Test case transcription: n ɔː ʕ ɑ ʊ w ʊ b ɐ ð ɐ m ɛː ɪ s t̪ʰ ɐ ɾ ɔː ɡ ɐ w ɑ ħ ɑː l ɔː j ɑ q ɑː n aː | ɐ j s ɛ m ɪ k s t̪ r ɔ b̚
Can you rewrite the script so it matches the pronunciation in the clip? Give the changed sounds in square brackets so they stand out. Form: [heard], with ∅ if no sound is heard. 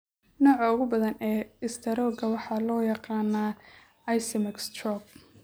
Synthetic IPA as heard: n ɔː ʕ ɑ ʊ [ɣ] ʊ b ɐ ð ɐ [n] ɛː ɪ s t̪ʰ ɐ ɾ ɔː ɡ ɐ w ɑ ħ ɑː l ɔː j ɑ q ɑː n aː | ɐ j s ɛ m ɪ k s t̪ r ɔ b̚